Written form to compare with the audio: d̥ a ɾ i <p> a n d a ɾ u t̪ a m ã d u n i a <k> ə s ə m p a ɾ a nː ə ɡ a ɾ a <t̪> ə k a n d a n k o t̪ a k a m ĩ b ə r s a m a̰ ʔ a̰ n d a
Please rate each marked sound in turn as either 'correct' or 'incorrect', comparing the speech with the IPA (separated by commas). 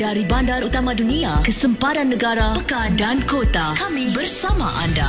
incorrect, correct, incorrect